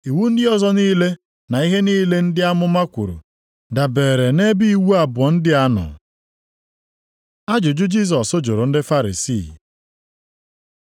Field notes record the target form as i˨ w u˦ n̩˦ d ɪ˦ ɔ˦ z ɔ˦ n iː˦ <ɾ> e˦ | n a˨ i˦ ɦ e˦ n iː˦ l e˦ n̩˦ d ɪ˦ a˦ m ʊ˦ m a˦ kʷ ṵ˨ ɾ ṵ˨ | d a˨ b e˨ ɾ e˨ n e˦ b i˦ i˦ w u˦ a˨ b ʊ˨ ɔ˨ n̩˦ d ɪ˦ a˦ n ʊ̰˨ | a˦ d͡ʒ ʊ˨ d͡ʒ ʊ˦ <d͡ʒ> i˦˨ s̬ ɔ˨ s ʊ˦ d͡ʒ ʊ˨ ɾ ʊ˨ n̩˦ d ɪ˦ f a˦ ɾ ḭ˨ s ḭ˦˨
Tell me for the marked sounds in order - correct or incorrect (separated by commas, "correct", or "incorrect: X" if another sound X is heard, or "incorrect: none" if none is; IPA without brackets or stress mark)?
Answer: incorrect: l, correct